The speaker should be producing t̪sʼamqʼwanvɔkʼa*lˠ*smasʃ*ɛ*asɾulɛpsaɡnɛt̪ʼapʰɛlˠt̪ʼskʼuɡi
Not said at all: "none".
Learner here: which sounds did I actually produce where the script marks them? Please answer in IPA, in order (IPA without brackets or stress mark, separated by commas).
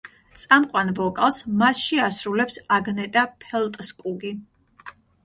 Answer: lˠ, i